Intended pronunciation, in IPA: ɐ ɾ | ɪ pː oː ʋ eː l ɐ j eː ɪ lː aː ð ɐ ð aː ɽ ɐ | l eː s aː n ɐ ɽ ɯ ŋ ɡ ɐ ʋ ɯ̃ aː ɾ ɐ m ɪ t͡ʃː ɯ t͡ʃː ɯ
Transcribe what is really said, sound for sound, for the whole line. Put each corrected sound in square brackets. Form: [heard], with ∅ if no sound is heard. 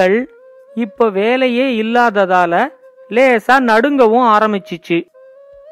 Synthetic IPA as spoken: ɐ [ɭ] | ɪ pː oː ʋ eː l ɐ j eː ɪ lː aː ð ɐ ð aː [l] ɐ | l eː s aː n ɐ ɽ ɯ ŋ ɡ ɐ ʋ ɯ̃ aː ɾ ɐ m ɪ t͡ʃː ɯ t͡ʃː ɯ